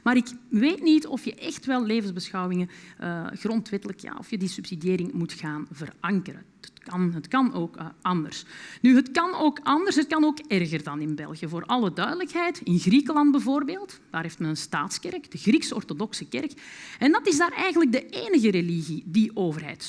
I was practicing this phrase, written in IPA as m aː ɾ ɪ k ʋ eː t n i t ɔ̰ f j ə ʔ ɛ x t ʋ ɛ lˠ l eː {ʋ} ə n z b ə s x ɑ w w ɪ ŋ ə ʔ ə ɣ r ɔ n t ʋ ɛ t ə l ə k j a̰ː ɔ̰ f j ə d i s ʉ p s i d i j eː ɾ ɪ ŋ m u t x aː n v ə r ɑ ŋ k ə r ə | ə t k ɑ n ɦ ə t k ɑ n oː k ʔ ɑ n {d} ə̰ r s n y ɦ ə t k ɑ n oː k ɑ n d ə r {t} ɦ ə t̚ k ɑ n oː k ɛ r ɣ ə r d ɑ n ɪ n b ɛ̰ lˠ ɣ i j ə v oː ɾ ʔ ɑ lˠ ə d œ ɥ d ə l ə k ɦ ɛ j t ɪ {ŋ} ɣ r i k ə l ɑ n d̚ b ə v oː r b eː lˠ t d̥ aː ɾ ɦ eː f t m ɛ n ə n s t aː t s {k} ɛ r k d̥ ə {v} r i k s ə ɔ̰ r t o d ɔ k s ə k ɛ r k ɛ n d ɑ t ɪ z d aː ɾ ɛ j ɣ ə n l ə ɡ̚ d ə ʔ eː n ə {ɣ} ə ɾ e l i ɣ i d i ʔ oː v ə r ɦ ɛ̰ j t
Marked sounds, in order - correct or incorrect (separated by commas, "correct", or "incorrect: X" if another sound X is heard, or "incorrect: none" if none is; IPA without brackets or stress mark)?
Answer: incorrect: v, correct, incorrect: s, incorrect: n, correct, incorrect: ɣ, correct